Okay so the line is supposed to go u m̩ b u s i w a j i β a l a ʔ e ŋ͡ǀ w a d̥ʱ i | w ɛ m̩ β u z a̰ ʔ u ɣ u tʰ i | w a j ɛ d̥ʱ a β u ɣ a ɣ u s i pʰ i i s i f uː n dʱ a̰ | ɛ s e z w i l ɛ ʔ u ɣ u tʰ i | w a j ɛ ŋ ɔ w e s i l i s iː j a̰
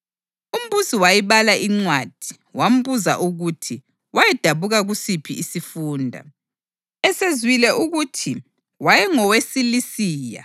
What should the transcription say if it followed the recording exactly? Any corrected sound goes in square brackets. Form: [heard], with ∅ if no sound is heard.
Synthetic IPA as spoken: u m̩ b u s i w a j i β a l a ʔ [i] ŋ͡ǀ w a d̥ʱ i | w [a] m̩ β u z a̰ ʔ u ɣ u tʰ i | w a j ɛ d̥ʱ a β u ɣ a ɣ u s i pʰ i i s i f uː n dʱ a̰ | ɛ s e z w i l ɛ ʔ u ɣ u tʰ i | w a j ɛ ŋ ɔ w e s i l i s iː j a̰